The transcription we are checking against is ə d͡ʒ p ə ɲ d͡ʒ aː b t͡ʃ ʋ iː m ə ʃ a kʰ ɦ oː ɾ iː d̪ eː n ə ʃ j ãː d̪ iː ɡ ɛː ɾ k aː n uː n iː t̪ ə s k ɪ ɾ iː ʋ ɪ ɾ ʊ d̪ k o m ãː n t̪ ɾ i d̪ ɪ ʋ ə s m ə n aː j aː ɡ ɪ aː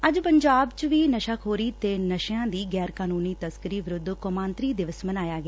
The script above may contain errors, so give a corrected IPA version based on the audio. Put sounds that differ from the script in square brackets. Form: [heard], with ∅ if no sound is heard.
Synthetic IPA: ə d͡ʒ p ə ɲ d͡ʒ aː b t͡ʃ ʋ iː [n] ə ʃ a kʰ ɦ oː ɾ iː [t̪] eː n ə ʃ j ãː d̪ iː ɡ ɛː ɾ k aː n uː n iː t̪ ə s k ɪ ɾ iː ʋ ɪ ɾ ʊ d̪ k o m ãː n t̪ ɾ [iː] d̪ ɪ ʋ ə s m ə n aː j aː ɡ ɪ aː